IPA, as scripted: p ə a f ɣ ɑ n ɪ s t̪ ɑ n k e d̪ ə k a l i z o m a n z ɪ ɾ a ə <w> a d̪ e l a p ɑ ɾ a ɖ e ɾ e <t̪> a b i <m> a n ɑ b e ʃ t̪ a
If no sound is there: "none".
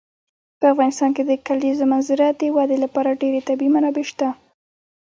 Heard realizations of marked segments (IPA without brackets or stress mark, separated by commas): w, t̪, m